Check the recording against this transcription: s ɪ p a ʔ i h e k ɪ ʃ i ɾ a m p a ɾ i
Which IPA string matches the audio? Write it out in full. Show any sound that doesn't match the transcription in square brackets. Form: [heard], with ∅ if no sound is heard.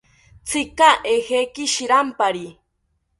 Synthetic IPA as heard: [t͡s] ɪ [k] a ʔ [e] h e k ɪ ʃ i ɾ a m p a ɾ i